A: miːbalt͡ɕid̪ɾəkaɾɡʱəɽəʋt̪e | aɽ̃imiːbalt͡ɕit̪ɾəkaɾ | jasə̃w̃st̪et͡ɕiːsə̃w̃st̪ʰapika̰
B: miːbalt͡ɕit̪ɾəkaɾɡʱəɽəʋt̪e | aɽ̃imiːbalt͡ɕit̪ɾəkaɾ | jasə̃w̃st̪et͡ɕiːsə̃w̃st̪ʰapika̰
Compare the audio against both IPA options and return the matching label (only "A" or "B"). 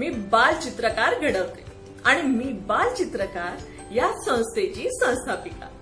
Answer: B